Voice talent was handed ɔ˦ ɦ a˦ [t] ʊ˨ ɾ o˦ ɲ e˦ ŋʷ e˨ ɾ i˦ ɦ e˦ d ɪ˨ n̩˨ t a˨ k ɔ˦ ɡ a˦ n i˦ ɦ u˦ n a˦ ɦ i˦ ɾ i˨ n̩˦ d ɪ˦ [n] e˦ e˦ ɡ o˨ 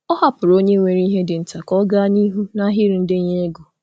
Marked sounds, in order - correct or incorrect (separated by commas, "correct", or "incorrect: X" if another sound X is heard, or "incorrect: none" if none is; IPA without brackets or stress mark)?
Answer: incorrect: p, incorrect: ɲ